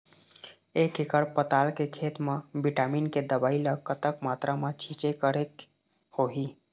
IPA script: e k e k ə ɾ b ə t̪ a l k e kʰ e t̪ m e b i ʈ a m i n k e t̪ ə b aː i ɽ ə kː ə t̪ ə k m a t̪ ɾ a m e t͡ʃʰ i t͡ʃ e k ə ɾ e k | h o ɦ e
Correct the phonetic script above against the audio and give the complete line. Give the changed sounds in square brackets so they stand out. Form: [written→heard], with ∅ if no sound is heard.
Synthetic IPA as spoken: e k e k ə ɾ [b→p] ə t̪ a l k e kʰ e t̪ m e b i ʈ a m i n k e [t̪→d̪] ə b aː i [ɽ→l] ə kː ə t̪ ə k m a t̪ ɾ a m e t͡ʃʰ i t͡ʃ e k ə ɾ e k | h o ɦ [e→i]